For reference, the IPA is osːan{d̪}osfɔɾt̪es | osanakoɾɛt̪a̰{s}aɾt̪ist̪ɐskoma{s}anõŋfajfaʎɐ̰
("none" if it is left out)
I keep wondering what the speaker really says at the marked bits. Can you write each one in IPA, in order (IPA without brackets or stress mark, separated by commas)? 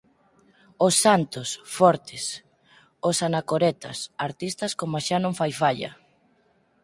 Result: t̪, s, ʃ